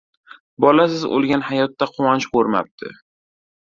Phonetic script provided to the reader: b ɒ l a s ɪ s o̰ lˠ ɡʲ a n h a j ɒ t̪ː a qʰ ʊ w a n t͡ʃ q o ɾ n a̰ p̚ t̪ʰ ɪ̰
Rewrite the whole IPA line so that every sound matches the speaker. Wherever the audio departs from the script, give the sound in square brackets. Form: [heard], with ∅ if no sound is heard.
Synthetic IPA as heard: b ɒ l a s ɪ [z] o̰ lˠ ɡʲ a n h a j ɒ t̪ː a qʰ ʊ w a n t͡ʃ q o ɾ [m] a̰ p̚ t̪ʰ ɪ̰